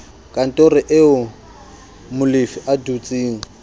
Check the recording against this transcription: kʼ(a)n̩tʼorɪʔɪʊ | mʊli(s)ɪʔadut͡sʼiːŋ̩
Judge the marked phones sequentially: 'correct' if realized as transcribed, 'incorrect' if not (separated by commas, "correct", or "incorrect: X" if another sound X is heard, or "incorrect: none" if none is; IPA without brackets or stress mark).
correct, incorrect: f